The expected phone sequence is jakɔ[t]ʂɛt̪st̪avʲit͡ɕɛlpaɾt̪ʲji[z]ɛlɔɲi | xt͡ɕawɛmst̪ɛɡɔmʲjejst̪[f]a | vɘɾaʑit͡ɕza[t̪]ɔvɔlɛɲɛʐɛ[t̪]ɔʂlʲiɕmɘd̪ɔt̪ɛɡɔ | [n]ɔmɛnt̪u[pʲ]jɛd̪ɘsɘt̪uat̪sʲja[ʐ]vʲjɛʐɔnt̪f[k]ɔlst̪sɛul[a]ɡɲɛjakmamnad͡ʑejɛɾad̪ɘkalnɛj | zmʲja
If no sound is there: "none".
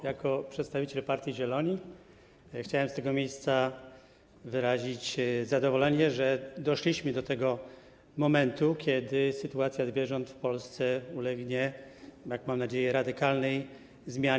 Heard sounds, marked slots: p, ʑ, s, d̪, d̪, m, kʲ, z, p, ɛ

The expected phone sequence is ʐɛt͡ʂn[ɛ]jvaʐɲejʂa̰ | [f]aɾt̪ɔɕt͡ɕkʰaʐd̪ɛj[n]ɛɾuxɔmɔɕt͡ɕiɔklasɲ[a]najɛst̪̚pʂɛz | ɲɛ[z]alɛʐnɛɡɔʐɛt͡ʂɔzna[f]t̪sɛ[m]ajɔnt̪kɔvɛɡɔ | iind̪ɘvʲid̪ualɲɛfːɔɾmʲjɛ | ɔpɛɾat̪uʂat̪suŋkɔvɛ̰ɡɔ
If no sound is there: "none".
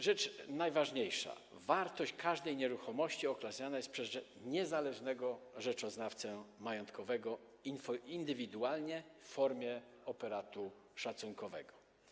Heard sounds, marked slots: a, v, ɲ, a, z, f, m

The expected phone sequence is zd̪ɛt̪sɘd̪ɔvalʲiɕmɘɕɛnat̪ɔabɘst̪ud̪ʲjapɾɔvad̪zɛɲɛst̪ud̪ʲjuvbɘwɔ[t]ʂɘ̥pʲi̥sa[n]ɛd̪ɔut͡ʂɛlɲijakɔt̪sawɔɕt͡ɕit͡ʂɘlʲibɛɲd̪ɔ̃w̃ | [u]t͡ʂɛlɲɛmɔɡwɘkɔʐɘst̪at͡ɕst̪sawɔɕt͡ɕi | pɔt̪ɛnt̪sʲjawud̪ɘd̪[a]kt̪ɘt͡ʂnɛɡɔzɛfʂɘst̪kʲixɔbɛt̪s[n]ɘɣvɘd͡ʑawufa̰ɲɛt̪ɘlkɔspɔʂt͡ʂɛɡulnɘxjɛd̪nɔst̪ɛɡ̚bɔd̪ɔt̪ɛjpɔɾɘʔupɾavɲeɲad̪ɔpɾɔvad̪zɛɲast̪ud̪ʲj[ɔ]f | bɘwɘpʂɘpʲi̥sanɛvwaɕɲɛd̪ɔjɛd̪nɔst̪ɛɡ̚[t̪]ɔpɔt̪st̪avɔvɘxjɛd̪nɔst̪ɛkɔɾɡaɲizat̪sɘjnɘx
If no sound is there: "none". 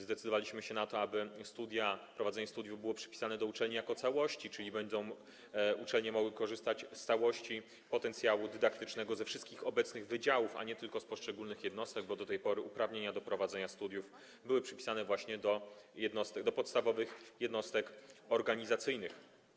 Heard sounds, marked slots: p, n, u, a, n, u, d̪

